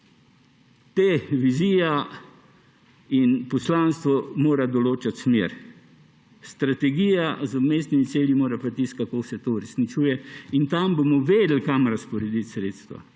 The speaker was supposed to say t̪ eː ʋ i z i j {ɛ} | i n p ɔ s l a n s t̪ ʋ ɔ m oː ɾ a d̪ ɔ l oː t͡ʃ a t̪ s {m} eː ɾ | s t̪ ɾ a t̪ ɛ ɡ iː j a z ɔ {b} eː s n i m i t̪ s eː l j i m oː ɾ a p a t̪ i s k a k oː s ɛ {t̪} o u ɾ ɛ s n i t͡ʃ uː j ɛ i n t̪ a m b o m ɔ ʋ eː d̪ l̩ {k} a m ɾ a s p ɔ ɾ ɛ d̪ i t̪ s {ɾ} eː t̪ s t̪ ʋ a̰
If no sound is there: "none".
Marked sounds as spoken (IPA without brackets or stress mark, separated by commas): a, m, m, t̪, k, ɾ